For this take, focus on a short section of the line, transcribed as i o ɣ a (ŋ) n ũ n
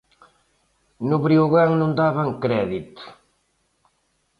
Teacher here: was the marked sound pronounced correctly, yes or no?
yes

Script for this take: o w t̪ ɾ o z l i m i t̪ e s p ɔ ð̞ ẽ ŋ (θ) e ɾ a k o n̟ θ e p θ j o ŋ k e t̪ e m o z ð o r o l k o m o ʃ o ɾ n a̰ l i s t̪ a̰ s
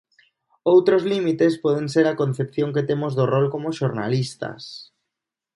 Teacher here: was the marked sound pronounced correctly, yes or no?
no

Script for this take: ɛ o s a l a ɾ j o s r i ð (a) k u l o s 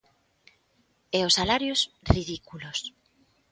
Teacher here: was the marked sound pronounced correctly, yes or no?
no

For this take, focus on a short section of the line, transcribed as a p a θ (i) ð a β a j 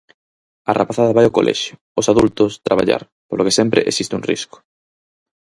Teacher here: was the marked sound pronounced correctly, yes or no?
no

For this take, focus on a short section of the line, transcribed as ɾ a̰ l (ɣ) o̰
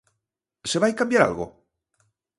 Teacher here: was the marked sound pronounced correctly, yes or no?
yes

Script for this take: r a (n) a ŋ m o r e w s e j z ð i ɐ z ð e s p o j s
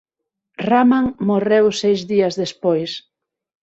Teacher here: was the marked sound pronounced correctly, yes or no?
no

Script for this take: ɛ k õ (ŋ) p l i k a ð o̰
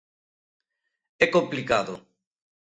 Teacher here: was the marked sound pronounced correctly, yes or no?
no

